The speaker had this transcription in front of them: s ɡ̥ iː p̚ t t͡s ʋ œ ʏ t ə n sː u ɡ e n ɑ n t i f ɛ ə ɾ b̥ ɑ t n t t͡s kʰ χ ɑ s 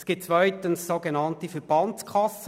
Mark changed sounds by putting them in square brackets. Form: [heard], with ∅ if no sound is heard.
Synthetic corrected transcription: s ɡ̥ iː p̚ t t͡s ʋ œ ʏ t ə n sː [o] ɡ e n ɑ n t i f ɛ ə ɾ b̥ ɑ [∅] n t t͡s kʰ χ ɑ s